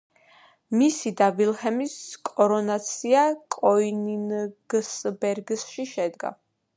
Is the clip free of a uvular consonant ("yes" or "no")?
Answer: yes